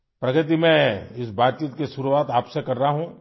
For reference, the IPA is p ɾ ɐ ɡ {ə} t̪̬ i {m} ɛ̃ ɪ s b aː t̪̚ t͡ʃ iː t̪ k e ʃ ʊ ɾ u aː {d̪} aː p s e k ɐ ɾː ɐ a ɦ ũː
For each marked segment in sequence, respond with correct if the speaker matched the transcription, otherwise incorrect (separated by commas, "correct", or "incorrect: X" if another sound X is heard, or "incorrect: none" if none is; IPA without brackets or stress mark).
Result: correct, correct, incorrect: t̪